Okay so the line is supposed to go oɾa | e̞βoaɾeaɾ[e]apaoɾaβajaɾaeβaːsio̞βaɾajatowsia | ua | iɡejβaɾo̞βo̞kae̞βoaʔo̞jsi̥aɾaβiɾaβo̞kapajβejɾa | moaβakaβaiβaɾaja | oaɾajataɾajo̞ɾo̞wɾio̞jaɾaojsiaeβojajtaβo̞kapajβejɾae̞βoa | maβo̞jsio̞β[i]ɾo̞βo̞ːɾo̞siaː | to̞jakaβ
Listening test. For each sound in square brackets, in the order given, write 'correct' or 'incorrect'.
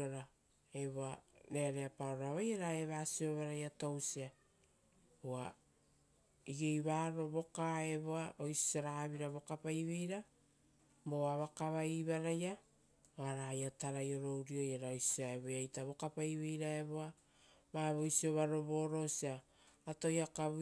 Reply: correct, incorrect

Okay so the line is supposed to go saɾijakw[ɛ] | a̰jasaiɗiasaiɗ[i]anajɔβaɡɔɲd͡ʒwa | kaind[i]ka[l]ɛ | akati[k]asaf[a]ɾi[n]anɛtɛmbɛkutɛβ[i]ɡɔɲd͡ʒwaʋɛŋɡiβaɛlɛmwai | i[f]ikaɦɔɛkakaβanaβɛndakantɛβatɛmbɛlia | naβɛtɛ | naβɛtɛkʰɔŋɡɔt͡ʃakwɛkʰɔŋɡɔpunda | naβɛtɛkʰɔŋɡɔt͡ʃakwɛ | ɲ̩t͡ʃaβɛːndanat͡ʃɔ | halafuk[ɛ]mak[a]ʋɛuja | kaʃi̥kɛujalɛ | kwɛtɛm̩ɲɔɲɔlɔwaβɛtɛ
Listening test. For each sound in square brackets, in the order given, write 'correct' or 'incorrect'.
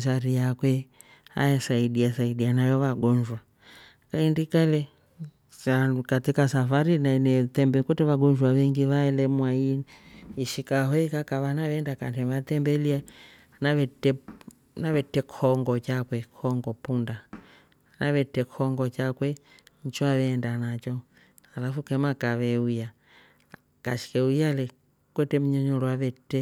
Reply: correct, correct, correct, correct, correct, correct, correct, incorrect, incorrect, correct, correct

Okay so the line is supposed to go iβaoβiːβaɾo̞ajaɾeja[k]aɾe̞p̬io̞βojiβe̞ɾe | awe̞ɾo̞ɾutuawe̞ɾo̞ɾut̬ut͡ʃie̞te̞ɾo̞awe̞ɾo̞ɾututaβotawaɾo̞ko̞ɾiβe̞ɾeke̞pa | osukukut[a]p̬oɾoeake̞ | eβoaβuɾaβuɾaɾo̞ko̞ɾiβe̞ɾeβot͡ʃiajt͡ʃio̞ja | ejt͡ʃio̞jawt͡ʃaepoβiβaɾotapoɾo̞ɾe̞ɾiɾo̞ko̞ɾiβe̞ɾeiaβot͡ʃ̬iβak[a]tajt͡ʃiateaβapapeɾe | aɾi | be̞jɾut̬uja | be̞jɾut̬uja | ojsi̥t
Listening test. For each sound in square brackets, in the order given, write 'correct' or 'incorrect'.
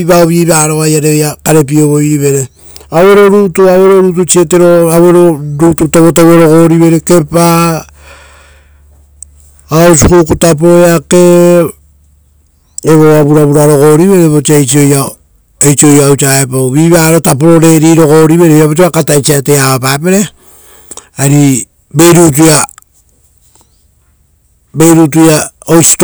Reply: correct, correct, correct

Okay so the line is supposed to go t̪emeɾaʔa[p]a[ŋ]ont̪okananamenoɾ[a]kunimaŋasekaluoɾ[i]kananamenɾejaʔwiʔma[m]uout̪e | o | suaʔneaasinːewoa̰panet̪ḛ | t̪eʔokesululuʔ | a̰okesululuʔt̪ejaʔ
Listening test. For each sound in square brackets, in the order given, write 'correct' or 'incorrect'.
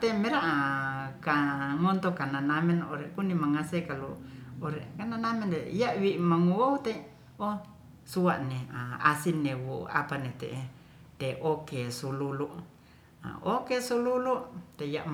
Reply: incorrect, correct, incorrect, incorrect, incorrect

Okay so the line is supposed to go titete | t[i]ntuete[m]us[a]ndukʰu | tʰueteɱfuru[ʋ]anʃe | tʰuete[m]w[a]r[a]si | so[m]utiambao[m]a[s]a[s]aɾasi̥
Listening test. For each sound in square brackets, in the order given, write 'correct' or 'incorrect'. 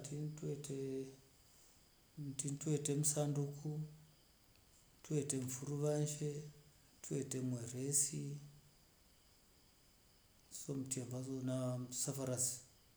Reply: correct, correct, correct, correct, correct, incorrect, incorrect, correct, incorrect, correct, incorrect

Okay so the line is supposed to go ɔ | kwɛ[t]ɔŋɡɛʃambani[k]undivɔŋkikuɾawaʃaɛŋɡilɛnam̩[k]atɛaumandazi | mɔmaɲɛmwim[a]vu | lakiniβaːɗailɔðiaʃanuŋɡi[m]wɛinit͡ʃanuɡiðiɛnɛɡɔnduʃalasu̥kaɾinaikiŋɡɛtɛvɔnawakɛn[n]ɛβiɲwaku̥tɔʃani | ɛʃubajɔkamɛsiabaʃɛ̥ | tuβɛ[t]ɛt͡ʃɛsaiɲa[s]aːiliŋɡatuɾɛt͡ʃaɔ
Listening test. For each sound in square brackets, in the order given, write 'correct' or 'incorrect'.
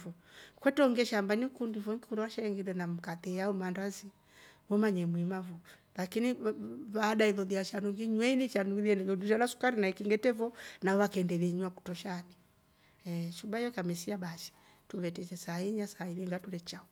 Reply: correct, correct, correct, correct, incorrect, incorrect, correct, correct

